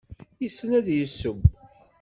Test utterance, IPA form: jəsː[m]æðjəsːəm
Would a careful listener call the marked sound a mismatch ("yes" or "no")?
yes